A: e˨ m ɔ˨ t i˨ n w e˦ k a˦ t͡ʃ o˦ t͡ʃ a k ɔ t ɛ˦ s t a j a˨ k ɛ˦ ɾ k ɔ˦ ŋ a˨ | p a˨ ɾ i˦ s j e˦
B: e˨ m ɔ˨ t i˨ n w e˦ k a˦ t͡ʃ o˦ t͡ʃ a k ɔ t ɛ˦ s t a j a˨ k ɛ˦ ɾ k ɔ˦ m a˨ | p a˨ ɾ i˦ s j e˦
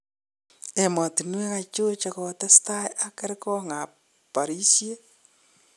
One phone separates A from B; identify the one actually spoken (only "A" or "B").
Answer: A